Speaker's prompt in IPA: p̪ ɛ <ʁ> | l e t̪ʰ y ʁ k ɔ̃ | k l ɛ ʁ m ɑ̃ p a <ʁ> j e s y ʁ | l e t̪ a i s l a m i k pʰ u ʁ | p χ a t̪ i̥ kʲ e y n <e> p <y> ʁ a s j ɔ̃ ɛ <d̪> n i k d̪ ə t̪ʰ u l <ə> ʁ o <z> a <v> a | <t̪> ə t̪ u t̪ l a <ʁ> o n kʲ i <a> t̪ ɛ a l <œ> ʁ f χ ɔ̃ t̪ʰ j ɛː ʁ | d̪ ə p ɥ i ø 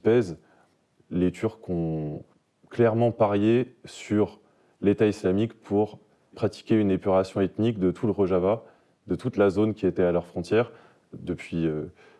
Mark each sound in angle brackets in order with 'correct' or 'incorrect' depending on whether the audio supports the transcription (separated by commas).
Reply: incorrect, correct, correct, correct, incorrect, correct, incorrect, correct, incorrect, incorrect, incorrect, correct